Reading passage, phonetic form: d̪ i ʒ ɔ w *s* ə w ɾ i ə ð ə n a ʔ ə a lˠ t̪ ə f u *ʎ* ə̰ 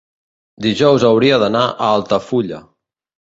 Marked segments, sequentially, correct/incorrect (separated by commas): incorrect, correct